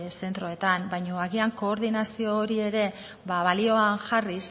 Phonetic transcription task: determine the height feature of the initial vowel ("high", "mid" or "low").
mid